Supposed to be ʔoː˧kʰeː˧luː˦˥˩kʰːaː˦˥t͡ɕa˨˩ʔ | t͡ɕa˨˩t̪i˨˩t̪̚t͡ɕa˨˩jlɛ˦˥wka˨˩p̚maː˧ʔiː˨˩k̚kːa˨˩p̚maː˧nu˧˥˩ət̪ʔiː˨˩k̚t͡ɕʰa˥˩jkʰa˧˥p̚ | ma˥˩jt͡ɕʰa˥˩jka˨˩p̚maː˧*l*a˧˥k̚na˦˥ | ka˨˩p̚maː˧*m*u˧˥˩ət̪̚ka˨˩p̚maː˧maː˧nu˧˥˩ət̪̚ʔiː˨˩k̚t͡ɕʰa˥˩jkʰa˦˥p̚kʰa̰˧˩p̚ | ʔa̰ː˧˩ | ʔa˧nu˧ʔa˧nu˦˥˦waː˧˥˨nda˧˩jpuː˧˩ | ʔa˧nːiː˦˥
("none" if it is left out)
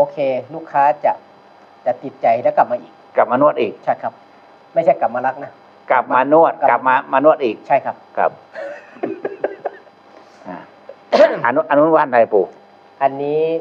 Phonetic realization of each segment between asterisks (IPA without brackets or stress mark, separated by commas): l, n